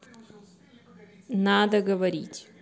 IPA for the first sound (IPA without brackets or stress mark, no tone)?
n